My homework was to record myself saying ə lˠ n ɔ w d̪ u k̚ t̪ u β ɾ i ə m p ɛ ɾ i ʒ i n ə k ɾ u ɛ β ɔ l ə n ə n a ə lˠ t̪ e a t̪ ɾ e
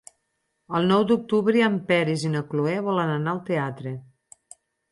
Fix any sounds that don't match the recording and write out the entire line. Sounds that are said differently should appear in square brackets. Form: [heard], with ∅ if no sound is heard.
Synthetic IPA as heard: ə lˠ n ɔ w d̪ u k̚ t̪ u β ɾ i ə m p ɛ ɾ i [z] i n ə k [l] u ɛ β ɔ l ə n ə n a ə lˠ t̪ e a t̪ ɾ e